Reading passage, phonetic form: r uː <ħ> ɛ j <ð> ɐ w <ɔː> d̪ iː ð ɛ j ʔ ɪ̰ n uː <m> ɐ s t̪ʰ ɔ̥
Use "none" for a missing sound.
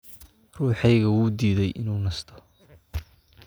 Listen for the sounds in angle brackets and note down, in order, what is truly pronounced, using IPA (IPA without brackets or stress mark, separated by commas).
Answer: ħ, ɣ, uː, n